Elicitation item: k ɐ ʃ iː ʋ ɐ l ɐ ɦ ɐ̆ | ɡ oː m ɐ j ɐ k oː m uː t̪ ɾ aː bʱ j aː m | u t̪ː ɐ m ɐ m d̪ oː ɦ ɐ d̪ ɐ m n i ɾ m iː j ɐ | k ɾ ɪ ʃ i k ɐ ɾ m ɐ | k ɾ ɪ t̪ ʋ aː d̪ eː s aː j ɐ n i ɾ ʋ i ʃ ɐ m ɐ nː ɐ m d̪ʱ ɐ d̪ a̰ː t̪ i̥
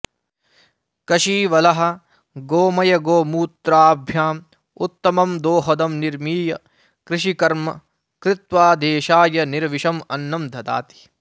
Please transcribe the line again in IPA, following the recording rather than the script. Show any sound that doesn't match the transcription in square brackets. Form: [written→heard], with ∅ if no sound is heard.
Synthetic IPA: k ɐ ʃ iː ʋ ɐ l ɐ ɦ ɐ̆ | ɡ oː m ɐ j ɐ [k→ɡ] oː m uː t̪ ɾ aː bʱ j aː m | u t̪ː ɐ m ɐ m d̪ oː ɦ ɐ d̪ ɐ m n i ɾ m iː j ɐ | k ɾ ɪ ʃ i k ɐ ɾ m ɐ | k ɾ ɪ t̪ ʋ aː d̪ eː [s→ʃ] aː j ɐ n i ɾ ʋ i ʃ ɐ m ɐ nː ɐ m d̪ʱ ɐ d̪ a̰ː t̪ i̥